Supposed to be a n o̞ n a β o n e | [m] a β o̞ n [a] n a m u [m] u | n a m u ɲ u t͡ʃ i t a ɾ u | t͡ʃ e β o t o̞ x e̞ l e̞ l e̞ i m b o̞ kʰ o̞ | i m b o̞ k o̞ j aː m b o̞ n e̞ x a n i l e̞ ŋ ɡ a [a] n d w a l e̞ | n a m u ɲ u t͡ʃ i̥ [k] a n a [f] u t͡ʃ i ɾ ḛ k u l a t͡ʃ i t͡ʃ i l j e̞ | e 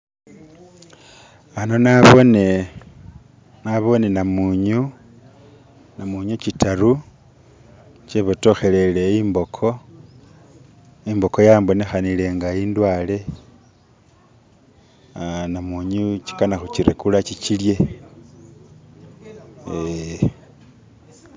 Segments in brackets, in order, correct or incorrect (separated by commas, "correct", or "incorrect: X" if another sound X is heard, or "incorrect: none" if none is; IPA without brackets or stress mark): incorrect: n, incorrect: e, incorrect: ɲ, incorrect: i, correct, incorrect: x